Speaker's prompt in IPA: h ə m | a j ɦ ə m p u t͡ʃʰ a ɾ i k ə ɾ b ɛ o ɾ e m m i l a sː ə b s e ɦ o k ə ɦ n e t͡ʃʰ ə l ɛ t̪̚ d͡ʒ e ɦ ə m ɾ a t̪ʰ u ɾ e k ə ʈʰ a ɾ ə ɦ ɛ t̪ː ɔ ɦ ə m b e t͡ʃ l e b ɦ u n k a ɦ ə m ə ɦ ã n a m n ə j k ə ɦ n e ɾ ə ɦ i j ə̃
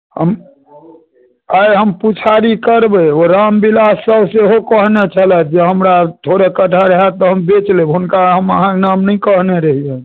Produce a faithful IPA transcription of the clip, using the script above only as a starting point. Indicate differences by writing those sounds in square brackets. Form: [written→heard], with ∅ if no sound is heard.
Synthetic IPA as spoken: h ə m | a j ɦ ə m p u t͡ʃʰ a ɾ i k ə ɾ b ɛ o ɾ [e→a] m [m→b] i l a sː ə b s e ɦ o k ə ɦ n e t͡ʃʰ ə l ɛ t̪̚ d͡ʒ e ɦ ə m ɾ a t̪ʰ [u→o] ɾ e k ə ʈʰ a ɾ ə ɦ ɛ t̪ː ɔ ɦ ə m b e t͡ʃ l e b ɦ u n k a ɦ ə m ə ɦ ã n a m n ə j k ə ɦ n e ɾ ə ɦ i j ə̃

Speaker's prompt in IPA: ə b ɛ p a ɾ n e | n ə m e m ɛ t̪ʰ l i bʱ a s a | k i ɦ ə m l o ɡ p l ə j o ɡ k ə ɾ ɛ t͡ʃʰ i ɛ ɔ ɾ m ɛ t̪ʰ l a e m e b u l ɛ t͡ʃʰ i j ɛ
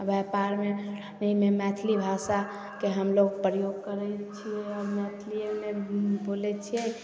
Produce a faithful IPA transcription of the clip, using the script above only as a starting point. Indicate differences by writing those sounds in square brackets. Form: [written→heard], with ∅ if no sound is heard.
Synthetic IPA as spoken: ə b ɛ p a ɾ [n→m] e | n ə m e m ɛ t̪ʰ l i bʱ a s a | k [i→e] ɦ ə m l o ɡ p [l→ɾ] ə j o ɡ k ə ɾ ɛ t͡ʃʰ i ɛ ɔ ɾ m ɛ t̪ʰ l [a→i] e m e b [u→o] l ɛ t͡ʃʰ i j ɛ

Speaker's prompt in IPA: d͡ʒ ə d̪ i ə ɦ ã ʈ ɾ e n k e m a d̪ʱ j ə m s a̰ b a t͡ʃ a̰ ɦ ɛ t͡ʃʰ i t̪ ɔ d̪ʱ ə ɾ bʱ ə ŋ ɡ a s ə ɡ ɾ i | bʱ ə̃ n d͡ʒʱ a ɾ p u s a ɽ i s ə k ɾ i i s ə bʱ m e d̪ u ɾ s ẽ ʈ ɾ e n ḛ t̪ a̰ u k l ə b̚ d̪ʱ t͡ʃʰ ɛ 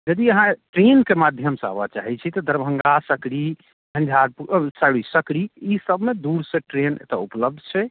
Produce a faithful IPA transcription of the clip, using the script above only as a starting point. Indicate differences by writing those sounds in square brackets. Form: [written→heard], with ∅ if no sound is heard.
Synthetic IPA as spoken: d͡ʒ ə d̪ i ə ɦ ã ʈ ɾ e n k e m a d̪ʱ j ə m s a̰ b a t͡ʃ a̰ ɦ ɛ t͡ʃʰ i t̪ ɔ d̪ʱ ə ɾ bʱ ə ŋ ɡ a s ə [ɡ→k] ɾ i | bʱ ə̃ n d͡ʒʱ a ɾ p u s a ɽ i s ə k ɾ i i s ə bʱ m e d̪ u ɾ s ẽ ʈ ɾ e n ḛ t̪ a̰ u [k→p] l ə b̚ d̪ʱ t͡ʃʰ ɛ

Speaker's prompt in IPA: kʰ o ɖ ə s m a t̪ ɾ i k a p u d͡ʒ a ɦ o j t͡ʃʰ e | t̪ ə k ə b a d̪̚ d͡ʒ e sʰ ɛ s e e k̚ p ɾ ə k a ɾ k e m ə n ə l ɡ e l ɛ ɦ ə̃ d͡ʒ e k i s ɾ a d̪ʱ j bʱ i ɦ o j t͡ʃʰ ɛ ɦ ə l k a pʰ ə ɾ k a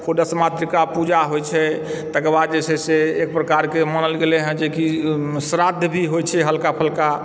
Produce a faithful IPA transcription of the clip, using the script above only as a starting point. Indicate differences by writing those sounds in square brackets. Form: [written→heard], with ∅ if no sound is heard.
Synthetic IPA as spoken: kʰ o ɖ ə s m a t̪ ɾ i k a p u d͡ʒ a ɦ o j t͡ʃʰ [e→ɛ] | t̪ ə k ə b a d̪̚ d͡ʒ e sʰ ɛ s e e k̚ p ɾ ə k a ɾ k e m ə n ə l ɡ e l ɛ ɦ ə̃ d͡ʒ e k i s ɾ a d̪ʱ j bʱ i ɦ o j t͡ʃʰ ɛ ɦ ə l k a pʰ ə [ɾ→l] k a

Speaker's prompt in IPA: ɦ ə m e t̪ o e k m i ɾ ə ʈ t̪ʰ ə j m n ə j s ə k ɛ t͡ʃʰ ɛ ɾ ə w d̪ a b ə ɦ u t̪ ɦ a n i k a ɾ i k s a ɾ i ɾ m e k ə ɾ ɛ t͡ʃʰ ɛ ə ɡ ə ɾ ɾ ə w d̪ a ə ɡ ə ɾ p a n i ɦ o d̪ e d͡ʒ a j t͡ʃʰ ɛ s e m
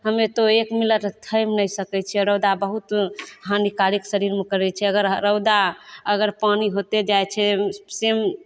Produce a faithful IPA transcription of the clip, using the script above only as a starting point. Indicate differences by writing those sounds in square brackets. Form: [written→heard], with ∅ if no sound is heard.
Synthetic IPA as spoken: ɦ ə m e t̪ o e k m i [ɾ→l] ə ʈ t̪ʰ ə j m n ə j s ə k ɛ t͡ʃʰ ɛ ɾ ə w d̪ a b ə ɦ u t̪ ɦ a n i k a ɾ i k s [a→ə] ɾ i ɾ m e k ə ɾ ɛ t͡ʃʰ ɛ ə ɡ ə ɾ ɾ ə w d̪ a ə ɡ ə ɾ p a n i ɦ o [d̪→t̪] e d͡ʒ a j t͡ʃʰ ɛ s e m

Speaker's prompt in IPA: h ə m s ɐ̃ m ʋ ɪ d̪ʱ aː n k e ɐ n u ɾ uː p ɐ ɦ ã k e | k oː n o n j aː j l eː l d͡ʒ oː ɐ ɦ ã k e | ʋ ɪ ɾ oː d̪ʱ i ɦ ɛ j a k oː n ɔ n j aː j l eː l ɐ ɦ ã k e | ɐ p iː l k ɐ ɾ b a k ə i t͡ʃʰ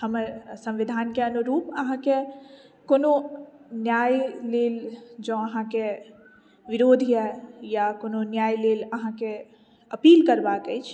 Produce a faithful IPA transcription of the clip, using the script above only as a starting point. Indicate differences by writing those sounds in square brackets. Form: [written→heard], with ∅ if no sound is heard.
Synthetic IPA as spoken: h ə m s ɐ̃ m ʋ ɪ d̪ʱ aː n k e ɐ n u ɾ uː p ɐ ɦ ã k e | k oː n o n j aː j l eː l d͡ʒ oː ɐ ɦ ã k e | ʋ ɪ ɾ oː d̪ʱ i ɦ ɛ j a k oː n [ɔ→o] n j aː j l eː l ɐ ɦ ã k e | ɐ p iː l k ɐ ɾ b a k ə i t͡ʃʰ

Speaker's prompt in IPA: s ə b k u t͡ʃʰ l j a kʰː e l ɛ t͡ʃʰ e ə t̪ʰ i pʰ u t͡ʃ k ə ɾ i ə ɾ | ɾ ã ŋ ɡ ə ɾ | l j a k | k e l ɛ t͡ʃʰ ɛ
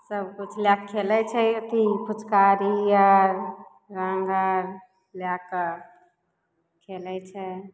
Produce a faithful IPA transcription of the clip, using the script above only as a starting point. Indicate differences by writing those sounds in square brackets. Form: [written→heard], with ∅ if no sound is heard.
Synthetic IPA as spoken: s ə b k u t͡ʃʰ l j a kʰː e l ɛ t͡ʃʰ [e→ɛ] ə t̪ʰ i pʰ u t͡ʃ k [ə→a] ɾ i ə ɾ | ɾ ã ŋ ɡ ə ɾ | l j a k | [k→kʰ] e l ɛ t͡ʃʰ ɛ

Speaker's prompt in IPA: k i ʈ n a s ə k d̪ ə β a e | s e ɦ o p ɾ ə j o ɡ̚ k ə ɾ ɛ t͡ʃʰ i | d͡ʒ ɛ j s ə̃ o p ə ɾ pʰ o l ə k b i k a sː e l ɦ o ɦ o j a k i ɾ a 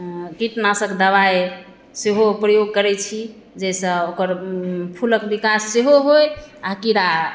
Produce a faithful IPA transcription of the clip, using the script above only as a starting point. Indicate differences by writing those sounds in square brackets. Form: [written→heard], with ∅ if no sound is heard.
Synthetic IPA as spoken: k i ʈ n a s ə k d̪ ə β a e | s e ɦ o p ɾ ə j o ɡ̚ k ə ɾ ɛ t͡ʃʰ i | d͡ʒ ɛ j s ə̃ o [p→k] ə ɾ pʰ [o→u] l ə k b i k a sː e [l→∅] ɦ o ɦ o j a k i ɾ a

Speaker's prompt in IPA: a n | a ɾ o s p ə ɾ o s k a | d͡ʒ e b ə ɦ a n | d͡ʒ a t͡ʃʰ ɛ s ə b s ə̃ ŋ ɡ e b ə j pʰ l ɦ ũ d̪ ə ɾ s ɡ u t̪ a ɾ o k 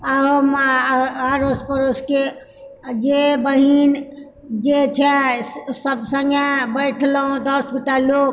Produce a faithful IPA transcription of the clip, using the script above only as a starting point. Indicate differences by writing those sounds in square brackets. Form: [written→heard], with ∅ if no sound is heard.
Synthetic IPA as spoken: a [n→m] | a ɾ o s p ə ɾ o s k [a→e] | d͡ʒ e b ə ɦ [a→i] n | d͡ʒ [a→e] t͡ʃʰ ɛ s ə b s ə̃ ŋ ɡ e b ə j [pʰ→ʈʰ] l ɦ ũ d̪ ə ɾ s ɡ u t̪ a [ɾ→l] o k

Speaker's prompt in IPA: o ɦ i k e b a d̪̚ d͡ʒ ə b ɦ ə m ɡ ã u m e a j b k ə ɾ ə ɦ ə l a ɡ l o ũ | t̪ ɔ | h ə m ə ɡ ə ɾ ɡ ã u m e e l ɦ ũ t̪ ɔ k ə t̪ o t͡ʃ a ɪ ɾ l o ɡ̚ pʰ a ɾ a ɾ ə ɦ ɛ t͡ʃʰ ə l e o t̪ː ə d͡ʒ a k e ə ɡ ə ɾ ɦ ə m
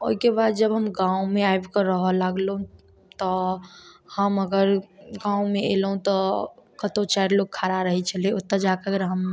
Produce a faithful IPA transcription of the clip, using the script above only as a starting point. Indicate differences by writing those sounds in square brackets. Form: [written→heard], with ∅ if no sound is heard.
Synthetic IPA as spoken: o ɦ i k e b a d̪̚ d͡ʒ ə b ɦ ə m ɡ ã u m e a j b k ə ɾ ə ɦ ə l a ɡ l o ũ | t̪ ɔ | h ə m ə ɡ ə ɾ ɡ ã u m e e l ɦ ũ t̪ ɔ k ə t̪ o t͡ʃ a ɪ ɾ l o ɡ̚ [pʰ→kʰ] a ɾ a ɾ ə ɦ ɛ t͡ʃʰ ə l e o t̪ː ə d͡ʒ a k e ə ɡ ə ɾ ɦ ə m

